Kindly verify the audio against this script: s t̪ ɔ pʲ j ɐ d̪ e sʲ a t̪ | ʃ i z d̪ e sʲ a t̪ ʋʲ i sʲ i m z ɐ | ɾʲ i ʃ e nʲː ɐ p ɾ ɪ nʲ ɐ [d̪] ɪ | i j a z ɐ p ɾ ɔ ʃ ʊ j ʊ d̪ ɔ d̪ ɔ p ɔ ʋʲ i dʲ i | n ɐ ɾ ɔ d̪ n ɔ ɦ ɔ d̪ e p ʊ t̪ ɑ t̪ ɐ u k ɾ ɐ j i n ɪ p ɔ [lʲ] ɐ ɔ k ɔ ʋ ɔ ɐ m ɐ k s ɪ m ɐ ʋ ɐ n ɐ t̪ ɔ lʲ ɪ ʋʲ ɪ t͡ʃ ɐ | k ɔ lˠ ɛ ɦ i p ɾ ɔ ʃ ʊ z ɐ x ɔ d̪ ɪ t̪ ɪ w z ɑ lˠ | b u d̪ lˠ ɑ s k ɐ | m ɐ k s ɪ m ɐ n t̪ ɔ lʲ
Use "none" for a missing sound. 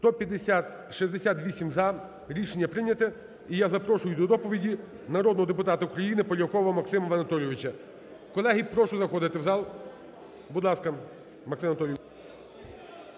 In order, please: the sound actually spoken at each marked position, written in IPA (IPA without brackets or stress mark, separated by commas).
t̪, lʲ